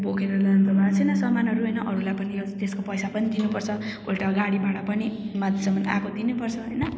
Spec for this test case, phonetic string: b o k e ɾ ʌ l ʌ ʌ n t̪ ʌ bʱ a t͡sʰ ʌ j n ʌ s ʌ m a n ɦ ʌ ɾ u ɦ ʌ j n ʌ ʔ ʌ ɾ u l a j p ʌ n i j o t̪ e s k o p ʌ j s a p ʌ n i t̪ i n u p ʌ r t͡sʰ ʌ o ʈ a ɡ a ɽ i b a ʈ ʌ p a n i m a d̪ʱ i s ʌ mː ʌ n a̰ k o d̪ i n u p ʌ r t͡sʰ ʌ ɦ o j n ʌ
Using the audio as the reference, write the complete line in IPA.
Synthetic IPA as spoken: b o k e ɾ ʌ l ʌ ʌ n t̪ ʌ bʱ a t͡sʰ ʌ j n ʌ s ʌ m a n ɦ ʌ ɾ u ɦ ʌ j n ʌ ʔ ʌ ɾ u l a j p ʌ n i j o t̪ e s k o p ʌ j s a p ʌ n i d̪ i n u p ʌ r t͡sʰ ʌ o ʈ a ɡ a ɽ i b a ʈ ʌ p ʌ n i m a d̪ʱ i s ʌ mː ʌ n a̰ k o d̪ i n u p ʌ r t͡sʰ ʌ ɦ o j n ʌ

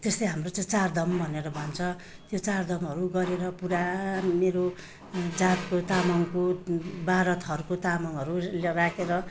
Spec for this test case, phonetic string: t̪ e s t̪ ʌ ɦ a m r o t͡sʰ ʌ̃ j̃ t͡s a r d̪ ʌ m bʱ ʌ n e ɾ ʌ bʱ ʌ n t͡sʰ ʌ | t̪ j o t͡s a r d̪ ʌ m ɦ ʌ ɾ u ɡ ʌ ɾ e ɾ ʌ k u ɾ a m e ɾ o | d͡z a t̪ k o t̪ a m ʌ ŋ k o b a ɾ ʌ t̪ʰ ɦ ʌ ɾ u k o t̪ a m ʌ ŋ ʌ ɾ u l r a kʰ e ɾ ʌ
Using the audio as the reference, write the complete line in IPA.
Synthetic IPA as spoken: t̪ e s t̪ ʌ ɦ a m r o t͡s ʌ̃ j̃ t͡s a r d̪ ʌ m bʱ ʌ n e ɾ ʌ bʱ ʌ n t͡sʰ ʌ | t̪ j o t͡s a r d̪ ʌ m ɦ ʌ ɾ u ɡ ʌ ɾ e ɾ ʌ p u ɾ a m e ɾ o | d͡z a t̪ k o t̪ a m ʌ ŋ k o b a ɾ ʌ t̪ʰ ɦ ʌ ɾ u k o t̪ a m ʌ ŋ ʌ ɾ u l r a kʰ e ɾ ʌ

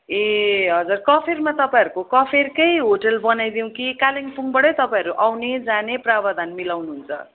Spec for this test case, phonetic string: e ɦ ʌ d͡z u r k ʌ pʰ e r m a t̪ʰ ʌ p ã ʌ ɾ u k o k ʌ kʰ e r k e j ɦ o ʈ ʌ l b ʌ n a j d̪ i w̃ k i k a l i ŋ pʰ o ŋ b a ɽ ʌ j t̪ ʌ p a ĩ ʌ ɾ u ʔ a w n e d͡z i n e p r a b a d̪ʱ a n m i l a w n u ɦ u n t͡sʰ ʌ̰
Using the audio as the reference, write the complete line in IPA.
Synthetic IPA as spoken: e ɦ ʌ d͡z u r k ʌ pʰ e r m a t̪ ʌ p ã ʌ ɾ u k o k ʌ pʰ e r k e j ɦ o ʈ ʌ l b ʌ n a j d̪ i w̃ k i k a l i ŋ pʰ u ŋ b ʌ ɽ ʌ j t̪ ʌ p a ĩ ʌ ɾ u ʔ a w n e d͡z a n e p r a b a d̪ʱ a n m i l a w n u ɦ u n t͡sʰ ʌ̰

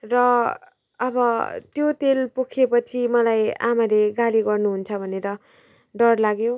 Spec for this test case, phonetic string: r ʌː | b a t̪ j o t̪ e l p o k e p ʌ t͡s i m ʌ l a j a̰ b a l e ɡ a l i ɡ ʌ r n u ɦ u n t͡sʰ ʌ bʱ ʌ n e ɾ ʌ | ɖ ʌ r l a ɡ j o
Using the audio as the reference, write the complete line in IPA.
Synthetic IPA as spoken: r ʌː | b ʌ t̪ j o t̪ e l p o kʰ e p ʌ t͡sʰ i m ʌ l a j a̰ m a l e ɡ a l i ɡ ʌ r n u ɦ u n t͡sʰ ʌ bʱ ʌ n e ɾ ʌ | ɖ ʌ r l a ɡ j o

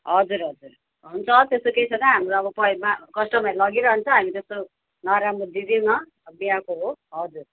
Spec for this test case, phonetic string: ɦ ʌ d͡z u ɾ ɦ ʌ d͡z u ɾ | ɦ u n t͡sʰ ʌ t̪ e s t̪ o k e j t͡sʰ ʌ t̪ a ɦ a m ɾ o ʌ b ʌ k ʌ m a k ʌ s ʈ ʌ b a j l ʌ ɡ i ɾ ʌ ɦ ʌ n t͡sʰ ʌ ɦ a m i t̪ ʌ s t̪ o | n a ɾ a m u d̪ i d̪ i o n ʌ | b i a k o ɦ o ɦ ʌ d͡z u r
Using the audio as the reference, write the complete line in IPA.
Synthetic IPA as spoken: ɦ ʌ d͡z u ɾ ɦ ʌ d͡z u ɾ | ɦ u n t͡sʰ ʌ t̪ e s t̪ o k e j t͡sʰ ʌ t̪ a ɦ a m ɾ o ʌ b ʌ p ʌ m a k ʌ s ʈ ʌ m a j l ʌ ɡ i ɾ ʌ ɦ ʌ n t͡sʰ ʌ ɦ a m i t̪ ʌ s t̪ o | n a ɾ a m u d̪ i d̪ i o n ʌ | b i a k o ɦ o ɦ ʌ d͡z u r

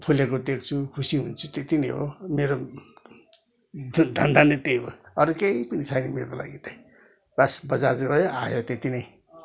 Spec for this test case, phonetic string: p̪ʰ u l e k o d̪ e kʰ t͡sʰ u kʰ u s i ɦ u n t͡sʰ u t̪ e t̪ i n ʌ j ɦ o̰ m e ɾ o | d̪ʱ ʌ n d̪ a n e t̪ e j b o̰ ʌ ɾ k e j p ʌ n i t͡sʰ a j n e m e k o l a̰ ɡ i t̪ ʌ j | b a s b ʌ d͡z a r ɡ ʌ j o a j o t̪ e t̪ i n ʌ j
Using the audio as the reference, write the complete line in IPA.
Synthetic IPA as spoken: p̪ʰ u l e k o d̪ e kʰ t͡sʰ u kʰ u s i ɦ u n t͡sʰ u t̪ e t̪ i n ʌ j ɦ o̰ m e ɾ o | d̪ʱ ʌ n d̪ a n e t̪ e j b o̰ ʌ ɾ k e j p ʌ n i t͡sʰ a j n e m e k o l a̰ ɡ i t̪ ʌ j | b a s b ʌ d͡z a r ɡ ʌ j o a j o t̪ e t̪ i n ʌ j

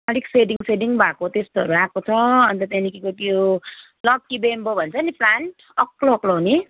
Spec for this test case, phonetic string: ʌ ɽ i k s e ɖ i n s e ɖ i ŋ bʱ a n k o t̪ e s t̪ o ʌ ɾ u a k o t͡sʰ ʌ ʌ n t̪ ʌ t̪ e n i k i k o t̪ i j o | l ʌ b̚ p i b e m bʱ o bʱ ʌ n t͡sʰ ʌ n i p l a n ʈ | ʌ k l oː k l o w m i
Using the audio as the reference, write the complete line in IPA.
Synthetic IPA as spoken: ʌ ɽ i k s e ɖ i ŋ s e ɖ i ŋ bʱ a k o t̪ e s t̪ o ʌ ɾ u a k o t͡sʰ ʌ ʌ n t̪ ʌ t̪ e n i k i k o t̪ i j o | l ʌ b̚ k i b e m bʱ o bʱ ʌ n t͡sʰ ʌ n i p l a n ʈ | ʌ k l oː k l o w n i

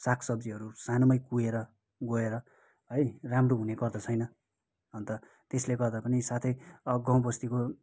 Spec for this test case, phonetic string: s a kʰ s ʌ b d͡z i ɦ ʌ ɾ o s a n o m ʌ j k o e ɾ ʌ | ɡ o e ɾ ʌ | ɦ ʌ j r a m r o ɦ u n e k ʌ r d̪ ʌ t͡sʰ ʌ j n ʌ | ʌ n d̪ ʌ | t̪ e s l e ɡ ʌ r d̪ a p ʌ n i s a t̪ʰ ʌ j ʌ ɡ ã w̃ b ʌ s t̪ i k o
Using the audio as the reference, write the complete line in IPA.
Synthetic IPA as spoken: s a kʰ s ʌ b d͡z i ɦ ʌ ɾ u s a n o m ʌ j k u e ɾ ʌ | ɡ o e ɾ ʌ | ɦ ʌ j r a m r o ɦ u n e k ʌ r d̪ ʌ t͡sʰ ʌ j n ʌ | ʌ n t̪ ʌ | t̪ e s l e ɡ ʌ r d̪ a p ʌ n i s a t̪ʰ ʌ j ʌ ɡ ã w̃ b ʌ s t̪ i k o

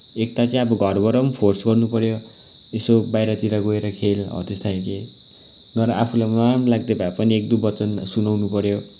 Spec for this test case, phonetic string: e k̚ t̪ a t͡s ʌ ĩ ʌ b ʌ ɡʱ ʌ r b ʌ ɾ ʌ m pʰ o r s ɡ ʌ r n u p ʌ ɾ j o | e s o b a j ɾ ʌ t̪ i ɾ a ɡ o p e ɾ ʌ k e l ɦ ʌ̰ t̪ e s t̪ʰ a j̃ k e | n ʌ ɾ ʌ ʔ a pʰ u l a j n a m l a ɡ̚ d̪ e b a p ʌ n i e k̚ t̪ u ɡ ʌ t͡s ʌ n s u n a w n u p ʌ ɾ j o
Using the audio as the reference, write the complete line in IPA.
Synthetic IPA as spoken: e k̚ t̪ a t͡s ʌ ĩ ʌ b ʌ ɡʱ ʌ r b ʌ ɾ ʌ m pʰ o r s ɡ ʌ r n u p ʌ ɾ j o | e s o b a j ɾ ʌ t̪ i ɾ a ɡ o e ɾ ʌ kʰ e l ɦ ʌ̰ t̪ e s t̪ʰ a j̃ k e | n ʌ ɾ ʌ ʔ a pʰ u l a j m a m l a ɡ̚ d̪ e b a p ʌ n i e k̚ d̪ u b ʌ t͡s ʌ n s u n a w n u p ʌ ɾ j o

